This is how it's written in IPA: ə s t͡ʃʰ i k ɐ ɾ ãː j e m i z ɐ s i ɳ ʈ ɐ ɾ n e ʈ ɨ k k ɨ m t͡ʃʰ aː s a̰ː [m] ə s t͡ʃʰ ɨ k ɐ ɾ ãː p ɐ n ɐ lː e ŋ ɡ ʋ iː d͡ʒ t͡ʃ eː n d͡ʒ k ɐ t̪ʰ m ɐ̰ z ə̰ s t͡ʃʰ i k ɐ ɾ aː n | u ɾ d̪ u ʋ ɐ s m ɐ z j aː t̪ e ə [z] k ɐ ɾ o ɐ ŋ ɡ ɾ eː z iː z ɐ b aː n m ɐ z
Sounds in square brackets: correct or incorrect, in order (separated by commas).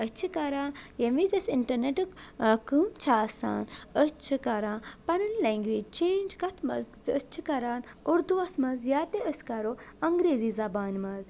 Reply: incorrect, incorrect